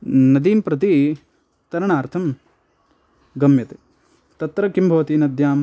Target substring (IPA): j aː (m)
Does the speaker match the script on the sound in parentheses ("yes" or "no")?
yes